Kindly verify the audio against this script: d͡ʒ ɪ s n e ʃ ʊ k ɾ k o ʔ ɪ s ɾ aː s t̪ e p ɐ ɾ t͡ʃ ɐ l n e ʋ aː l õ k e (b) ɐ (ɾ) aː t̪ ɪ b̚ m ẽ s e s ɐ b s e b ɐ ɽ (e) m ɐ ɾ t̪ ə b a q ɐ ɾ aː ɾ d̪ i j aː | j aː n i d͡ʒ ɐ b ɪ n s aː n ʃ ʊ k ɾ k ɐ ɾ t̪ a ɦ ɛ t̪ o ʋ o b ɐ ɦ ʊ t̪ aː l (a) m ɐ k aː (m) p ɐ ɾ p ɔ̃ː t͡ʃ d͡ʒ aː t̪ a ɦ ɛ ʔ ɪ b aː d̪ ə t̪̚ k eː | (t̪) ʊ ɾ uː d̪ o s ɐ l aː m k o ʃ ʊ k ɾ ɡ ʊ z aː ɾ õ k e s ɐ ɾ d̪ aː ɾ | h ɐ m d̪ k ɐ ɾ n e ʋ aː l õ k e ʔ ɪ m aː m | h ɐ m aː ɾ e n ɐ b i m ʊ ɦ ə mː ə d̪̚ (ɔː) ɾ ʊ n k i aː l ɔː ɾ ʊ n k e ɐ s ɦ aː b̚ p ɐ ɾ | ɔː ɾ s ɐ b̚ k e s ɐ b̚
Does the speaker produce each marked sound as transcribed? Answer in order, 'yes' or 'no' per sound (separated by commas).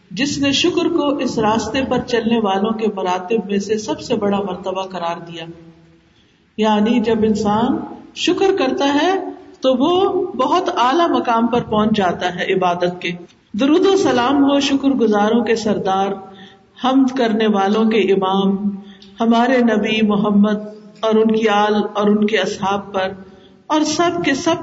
no, yes, no, yes, yes, no, yes